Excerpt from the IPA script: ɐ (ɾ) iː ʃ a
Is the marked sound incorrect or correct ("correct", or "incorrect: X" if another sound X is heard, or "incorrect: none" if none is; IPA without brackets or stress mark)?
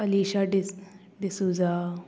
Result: incorrect: l